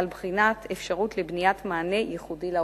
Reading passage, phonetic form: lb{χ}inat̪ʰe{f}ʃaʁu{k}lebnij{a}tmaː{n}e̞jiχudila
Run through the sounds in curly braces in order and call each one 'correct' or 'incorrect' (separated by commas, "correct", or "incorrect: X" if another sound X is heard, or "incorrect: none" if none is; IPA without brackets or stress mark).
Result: correct, correct, incorrect: t, correct, correct